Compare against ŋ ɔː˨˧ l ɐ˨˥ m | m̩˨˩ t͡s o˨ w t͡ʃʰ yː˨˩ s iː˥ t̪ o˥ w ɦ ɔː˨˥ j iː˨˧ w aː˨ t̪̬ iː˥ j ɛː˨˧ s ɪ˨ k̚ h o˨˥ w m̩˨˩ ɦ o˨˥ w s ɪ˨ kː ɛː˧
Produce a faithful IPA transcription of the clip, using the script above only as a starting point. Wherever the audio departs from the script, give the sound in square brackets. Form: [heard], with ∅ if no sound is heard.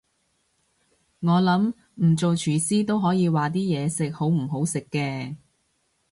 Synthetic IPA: ŋ ɔː˨˧ l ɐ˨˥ m | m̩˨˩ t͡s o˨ w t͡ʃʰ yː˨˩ s iː˥ t̪ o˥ w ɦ ɔː˨˥ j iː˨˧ w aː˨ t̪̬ iː˥ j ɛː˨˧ s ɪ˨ k̚ h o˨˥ w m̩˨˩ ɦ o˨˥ w s ɪ˨ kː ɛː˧